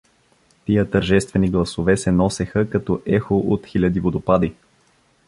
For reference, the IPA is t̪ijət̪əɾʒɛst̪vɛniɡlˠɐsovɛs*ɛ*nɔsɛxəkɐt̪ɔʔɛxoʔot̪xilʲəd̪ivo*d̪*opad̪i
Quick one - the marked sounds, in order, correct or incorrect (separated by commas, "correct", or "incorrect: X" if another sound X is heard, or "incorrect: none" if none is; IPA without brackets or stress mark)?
correct, correct